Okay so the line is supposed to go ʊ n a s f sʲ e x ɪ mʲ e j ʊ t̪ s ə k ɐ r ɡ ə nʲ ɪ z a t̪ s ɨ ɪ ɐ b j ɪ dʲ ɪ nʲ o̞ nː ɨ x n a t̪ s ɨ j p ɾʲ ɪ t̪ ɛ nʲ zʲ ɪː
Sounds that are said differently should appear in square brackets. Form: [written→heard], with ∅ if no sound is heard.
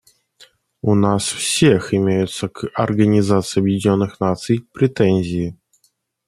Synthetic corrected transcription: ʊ n a s f sʲ e x ɪ mʲ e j ʊ t̪ s ə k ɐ r ɡ ə nʲ ɪ z a t̪ s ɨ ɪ ɐ b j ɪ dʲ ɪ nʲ o̞ nː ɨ x n a t̪ s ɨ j p ɾʲ ɪ t̪ ɛ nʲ zʲ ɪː